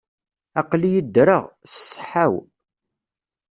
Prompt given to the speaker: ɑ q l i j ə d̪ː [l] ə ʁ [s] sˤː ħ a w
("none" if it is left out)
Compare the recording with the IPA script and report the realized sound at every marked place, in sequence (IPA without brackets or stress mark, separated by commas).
ɾ, s